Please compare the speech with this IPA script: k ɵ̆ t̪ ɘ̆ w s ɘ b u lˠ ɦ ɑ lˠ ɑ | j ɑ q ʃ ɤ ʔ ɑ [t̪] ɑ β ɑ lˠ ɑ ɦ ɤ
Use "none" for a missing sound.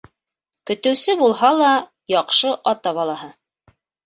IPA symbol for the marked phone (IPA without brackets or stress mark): t̪